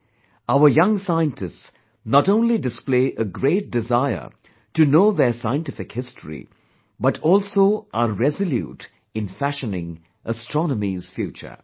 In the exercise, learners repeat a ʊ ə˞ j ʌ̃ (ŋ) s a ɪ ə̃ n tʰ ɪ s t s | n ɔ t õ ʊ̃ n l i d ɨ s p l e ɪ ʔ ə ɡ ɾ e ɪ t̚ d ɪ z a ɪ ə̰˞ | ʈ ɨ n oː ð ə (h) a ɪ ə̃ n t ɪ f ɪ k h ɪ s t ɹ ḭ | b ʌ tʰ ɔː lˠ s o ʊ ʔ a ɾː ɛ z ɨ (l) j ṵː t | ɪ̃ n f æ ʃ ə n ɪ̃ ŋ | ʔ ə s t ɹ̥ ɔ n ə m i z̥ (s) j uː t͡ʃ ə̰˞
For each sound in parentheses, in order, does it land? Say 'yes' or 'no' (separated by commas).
yes, no, yes, no